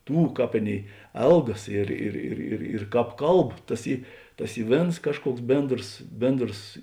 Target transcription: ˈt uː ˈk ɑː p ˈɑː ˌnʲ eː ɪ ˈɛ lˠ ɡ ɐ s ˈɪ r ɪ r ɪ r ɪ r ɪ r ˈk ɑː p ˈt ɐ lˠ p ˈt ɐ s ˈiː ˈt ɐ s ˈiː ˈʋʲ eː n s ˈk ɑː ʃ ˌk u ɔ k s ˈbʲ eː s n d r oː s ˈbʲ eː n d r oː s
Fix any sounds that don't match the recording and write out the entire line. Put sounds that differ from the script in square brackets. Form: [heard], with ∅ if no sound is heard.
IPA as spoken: ˈt uː ˈk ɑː p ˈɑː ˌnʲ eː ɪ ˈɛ lˠ ɡ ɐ s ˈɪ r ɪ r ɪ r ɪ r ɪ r ˈk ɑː p [ˈk] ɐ lˠ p ˈt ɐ s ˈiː ˈt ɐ s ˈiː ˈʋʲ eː n s ˈk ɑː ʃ ˌk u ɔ k s ˈbʲ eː [∅] n d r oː s ˈbʲ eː n d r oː s